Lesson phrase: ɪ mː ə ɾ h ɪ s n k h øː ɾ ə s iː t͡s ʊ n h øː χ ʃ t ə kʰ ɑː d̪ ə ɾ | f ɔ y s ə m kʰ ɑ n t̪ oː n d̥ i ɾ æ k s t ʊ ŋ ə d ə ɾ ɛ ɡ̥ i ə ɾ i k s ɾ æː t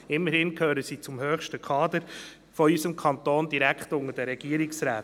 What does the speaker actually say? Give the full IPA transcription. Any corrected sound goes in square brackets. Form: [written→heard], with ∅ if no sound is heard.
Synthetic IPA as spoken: ɪ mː ə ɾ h ɪ [s→∅] n k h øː ɾ ə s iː t͡s ʊ [n→m] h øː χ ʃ t ə kʰ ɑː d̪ ə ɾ | f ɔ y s ə m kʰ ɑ n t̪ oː n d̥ i ɾ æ k [s→χ] t ʊ ŋ ə d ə ɾ ɛ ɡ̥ i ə ɾ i k s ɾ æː t